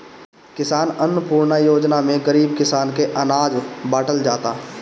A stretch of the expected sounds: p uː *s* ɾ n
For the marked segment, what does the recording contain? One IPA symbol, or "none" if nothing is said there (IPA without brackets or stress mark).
none